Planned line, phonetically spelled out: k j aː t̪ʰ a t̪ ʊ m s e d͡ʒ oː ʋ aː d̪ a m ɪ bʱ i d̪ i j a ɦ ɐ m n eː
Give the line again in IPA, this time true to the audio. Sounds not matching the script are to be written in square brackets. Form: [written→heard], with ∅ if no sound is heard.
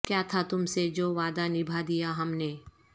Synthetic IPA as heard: k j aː t̪ʰ a t̪ ʊ m s e d͡ʒ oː ʋ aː d̪ a [m→n] ɪ bʱ [i→a] d̪ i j a ɦ ɐ m n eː